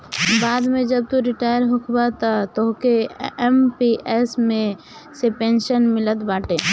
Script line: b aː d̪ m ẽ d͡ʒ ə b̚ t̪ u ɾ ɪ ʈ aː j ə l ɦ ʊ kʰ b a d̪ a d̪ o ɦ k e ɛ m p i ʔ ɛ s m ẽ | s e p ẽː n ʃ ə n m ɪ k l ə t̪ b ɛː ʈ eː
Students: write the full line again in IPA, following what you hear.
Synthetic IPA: b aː d̪ m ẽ d͡ʒ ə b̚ t̪ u ɾ ɪ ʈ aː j ə ɾ ɦ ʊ kʰ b a t̪ a t̪ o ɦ k e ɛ m p i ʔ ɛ s m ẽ | s e p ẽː n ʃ ə n m ɪ l ə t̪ b aː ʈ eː